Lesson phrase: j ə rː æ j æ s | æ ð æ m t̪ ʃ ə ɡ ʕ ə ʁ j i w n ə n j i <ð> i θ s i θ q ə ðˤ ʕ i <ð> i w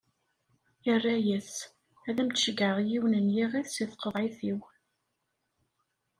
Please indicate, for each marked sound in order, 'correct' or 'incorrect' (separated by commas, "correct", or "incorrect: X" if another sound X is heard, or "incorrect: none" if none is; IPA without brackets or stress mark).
incorrect: ʁ, incorrect: θ